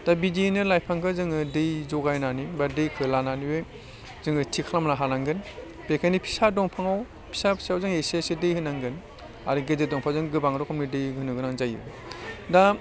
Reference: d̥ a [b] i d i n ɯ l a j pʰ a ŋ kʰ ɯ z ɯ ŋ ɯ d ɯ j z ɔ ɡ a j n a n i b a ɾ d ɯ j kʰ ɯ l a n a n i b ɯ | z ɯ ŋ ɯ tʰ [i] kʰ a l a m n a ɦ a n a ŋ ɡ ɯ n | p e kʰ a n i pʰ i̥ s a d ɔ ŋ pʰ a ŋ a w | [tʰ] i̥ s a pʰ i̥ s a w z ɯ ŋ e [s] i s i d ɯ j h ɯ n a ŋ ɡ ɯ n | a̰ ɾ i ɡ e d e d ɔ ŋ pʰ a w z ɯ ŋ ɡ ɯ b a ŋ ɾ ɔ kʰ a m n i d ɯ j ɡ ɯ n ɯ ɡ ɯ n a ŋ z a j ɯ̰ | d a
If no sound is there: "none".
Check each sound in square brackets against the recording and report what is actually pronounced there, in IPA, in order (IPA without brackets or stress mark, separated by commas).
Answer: b, i, pʰ, s